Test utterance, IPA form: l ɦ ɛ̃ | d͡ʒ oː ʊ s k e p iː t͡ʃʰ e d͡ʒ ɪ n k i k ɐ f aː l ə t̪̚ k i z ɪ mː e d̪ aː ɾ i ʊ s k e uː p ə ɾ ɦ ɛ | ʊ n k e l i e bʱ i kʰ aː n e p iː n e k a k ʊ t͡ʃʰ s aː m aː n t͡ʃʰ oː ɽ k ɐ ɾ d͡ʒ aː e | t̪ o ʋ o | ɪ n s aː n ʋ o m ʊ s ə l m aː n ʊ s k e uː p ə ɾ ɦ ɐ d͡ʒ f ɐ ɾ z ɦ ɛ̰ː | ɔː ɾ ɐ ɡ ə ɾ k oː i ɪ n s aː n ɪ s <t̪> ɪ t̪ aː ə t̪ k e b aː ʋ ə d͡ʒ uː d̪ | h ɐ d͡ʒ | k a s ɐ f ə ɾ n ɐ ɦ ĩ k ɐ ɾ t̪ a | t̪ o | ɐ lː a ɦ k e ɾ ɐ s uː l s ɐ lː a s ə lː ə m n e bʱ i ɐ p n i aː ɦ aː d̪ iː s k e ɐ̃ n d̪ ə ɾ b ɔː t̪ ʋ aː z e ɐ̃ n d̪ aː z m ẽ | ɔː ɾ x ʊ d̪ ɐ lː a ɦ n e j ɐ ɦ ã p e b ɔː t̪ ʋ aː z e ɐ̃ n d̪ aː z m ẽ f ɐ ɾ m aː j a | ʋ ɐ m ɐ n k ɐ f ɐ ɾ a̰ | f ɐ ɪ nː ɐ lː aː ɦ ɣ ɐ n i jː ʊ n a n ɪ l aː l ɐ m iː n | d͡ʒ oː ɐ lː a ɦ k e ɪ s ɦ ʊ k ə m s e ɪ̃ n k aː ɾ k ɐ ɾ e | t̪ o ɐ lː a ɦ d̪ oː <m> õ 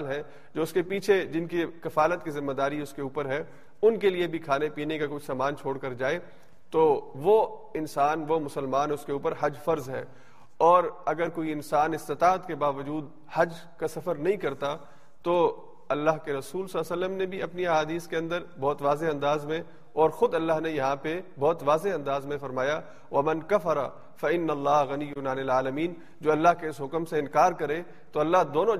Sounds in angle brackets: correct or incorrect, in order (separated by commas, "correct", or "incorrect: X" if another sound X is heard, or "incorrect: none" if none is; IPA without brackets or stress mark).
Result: correct, incorrect: n